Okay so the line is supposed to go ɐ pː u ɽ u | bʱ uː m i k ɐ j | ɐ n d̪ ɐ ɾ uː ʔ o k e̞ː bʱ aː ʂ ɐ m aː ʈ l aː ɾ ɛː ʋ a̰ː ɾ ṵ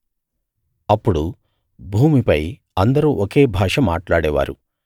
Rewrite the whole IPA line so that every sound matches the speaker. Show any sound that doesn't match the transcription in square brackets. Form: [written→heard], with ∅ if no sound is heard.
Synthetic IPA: ɐ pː u ɽ u | bʱ uː m i [k→p] ɐ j | ɐ n d̪ ɐ ɾ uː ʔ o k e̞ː bʱ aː ʂ ɐ m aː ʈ l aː [ɾ→ɽ] ɛː ʋ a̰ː ɾ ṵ

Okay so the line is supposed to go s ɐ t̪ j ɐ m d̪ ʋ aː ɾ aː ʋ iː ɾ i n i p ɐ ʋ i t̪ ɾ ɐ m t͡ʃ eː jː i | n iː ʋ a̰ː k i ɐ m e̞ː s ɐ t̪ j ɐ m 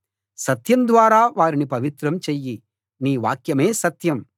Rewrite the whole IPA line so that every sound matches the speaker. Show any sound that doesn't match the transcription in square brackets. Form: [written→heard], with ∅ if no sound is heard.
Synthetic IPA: s ɐ t̪ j ɐ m d̪ ʋ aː ɾ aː ʋ [iː→aː] ɾ i n i p ɐ ʋ i t̪ ɾ ɐ m t͡ʃ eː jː i | n iː ʋ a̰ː k [i→j] ɐ m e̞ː s ɐ t̪ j ɐ m

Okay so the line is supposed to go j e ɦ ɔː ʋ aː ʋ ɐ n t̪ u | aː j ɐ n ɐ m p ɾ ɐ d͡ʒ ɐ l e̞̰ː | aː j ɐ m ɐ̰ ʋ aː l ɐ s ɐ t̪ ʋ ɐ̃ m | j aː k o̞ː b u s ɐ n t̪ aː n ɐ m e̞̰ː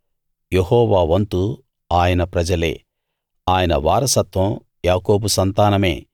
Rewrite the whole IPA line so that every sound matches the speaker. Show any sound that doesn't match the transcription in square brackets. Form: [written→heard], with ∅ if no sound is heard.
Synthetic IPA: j e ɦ ɔː ʋ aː ʋ ɐ n t̪ u | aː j ɐ n ɐ [m→∅] p ɾ ɐ d͡ʒ ɐ l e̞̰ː | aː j ɐ [m→n] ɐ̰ ʋ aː [l→ɾ] ɐ s ɐ t̪ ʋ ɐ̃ m | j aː k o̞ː b u s ɐ n t̪ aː n ɐ m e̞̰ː

